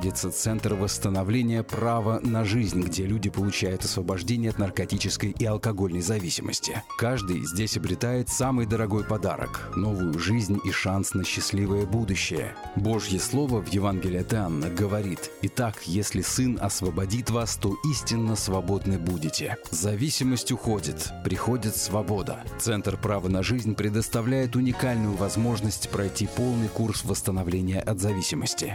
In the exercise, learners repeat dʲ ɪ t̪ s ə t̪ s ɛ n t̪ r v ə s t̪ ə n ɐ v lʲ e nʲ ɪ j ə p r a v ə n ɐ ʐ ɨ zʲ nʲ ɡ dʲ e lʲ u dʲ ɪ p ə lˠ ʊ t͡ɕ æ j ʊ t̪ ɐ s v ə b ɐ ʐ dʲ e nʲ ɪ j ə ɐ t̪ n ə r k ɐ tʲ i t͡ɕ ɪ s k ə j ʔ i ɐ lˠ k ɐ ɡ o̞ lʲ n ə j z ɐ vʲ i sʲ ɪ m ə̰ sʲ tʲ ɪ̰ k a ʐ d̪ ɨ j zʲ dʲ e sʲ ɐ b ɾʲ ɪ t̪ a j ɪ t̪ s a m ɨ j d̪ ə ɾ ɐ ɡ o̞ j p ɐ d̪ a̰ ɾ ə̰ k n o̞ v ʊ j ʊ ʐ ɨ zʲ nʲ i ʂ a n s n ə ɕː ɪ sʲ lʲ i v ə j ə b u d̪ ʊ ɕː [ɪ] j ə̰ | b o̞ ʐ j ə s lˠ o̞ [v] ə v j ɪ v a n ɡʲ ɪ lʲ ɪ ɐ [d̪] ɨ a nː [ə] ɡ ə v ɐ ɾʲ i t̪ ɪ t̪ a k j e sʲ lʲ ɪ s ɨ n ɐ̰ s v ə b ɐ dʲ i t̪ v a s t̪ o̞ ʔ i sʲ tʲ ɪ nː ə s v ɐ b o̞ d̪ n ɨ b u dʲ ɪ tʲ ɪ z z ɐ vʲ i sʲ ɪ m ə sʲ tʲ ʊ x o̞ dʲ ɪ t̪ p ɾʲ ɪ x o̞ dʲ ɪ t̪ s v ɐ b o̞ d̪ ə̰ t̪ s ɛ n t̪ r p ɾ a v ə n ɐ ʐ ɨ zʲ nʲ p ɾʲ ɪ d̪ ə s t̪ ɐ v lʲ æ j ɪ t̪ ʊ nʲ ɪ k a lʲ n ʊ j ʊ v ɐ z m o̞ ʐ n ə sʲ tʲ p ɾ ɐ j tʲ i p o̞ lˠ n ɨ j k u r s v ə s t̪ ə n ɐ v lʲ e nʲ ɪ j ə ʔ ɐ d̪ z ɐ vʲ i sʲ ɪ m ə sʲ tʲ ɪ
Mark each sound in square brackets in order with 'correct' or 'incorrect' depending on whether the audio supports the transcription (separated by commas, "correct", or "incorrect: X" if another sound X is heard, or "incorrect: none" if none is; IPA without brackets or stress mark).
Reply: correct, correct, incorrect: t̪, correct